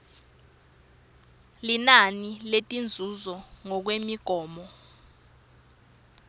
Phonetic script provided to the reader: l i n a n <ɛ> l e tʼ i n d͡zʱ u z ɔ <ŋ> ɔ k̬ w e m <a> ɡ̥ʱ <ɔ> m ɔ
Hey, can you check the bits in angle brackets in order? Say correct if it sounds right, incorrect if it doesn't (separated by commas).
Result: incorrect, correct, incorrect, incorrect